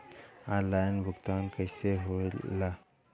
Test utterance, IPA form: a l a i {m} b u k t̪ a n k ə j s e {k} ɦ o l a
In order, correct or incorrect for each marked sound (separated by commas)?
incorrect, incorrect